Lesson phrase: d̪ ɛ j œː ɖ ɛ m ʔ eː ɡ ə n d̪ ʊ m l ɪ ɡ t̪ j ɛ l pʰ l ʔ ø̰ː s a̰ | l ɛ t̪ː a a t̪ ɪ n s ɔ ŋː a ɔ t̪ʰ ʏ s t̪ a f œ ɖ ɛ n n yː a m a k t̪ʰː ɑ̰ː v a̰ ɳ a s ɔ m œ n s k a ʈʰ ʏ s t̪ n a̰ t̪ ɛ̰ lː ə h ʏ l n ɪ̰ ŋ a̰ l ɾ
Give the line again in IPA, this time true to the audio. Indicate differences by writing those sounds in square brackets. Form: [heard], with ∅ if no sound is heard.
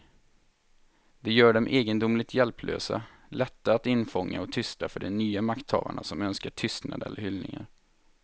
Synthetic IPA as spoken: d̪ ɛ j œː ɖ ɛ m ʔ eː ɡ ə n d̪ ʊ m l ɪ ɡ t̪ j ɛ l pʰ l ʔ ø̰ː s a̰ | l ɛ t̪ː a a t̪ ɪ n [f] ɔ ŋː a ɔ t̪ʰ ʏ s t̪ a f œ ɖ ɛ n n yː a m a k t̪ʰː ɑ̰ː v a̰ ɳ a s ɔ m œ n s k a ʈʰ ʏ s t̪ n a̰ [d̪] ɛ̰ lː ə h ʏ l n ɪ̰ ŋ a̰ [∅] ɾ

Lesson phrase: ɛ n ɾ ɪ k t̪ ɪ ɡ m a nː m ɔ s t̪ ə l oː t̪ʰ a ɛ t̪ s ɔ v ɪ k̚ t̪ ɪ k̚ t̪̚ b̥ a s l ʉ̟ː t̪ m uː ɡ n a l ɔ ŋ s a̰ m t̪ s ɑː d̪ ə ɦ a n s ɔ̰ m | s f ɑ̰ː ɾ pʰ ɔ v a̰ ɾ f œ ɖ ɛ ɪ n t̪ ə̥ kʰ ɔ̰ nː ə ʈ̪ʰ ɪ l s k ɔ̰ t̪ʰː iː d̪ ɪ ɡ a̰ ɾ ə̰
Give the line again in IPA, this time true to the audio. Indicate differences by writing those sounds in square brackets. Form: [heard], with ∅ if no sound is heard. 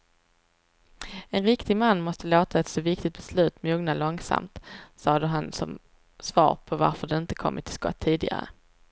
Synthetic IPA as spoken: ɛ n ɾ ɪ k t̪ ɪ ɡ m a nː m ɔ s t̪ ə l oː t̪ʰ a ɛ t̪ s ɔ v ɪ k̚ t̪ ɪ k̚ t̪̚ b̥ [ɛ] s l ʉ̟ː t̪ m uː ɡ n a l ɔ ŋ s a̰ m t̪ s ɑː d̪ ə ɦ a n s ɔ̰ m | s [v] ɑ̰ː ɾ pʰ ɔ v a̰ ɾ f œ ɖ ɛ ɪ n t̪ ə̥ kʰ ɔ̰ [mː] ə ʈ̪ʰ ɪ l s k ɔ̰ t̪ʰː iː d̪ ɪ ɡ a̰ ɾ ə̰

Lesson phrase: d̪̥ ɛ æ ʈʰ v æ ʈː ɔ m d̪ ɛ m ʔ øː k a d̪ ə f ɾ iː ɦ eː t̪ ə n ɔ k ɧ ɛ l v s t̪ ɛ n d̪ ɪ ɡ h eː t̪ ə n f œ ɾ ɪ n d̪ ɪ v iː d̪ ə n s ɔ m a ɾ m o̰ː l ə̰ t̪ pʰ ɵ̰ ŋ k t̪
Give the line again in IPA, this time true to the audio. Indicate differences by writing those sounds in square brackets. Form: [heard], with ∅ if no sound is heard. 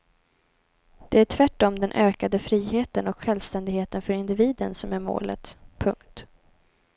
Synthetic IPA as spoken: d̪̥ ɛ æ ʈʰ v æ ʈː ɔ m d̪ ɛ [n] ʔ øː k a d̪ ə f ɾ iː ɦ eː t̪ ə n ɔ k ɧ ɛ l v s t̪ ɛ n d̪ ɪ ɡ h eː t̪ ə n f œ ɾ ɪ n d̪ ɪ v iː d̪ ə n s ɔ m [æ] ɾ m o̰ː l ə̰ t̪ pʰ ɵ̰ ŋ k t̪

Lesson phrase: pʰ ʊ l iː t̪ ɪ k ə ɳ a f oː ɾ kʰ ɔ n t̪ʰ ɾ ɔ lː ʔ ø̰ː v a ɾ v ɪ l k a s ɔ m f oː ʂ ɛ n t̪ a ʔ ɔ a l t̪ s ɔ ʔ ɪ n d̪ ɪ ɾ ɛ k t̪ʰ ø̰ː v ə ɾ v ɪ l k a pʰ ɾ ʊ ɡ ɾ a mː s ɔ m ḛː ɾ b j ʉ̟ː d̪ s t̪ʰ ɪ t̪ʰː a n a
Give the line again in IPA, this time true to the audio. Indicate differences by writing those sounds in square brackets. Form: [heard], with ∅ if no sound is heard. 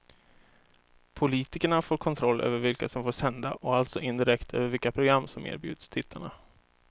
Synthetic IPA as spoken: pʰ ʊ l iː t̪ ɪ k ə ɳ a f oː ɾ kʰ ɔ n t̪ʰ ɾ ɔ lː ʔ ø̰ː v [ə] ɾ v ɪ l k a s ɔ m f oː ʂ ɛ n [d̪] a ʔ ɔ a l t̪ s ɔ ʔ ɪ n d̪ ɪ ɾ ɛ k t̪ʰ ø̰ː v ə ɾ v ɪ l k a pʰ ɾ ʊ ɡ ɾ a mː s ɔ m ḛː ɾ b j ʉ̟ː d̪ s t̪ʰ ɪ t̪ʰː a [ɳ] a

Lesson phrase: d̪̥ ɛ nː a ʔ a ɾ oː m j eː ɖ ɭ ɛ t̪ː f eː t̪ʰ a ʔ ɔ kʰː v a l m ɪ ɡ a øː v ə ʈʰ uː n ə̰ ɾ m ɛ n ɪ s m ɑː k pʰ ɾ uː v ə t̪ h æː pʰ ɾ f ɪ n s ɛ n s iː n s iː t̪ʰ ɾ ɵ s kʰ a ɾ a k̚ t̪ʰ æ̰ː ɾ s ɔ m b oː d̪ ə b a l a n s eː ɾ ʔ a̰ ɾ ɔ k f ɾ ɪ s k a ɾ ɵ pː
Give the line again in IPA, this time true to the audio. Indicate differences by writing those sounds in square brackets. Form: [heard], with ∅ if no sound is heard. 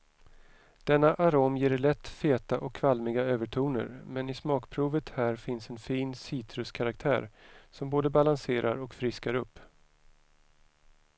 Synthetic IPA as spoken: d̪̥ ɛ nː a ʔ a ɾ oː m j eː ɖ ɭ ɛ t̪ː f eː [t̪] a ʔ ɔ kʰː v a l m ɪ ɡ a øː v ə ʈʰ uː n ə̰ ɾ m ɛ n ɪ s m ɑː k pʰ ɾ uː v ə t̪ h æː [∅] ɾ f ɪ n s ɛ n [f] iː n s iː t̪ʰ ɾ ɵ s kʰ a ɾ a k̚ t̪ʰ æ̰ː ɾ s ɔ m b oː d̪ ə b a l a n s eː ɾ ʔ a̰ ɾ ɔ k f ɾ ɪ s k a ɾ ɵ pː

